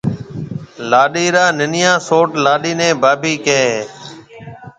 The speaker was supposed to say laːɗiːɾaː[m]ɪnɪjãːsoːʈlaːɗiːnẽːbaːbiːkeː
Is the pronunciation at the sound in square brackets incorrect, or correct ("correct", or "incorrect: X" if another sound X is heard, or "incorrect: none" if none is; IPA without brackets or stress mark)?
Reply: incorrect: n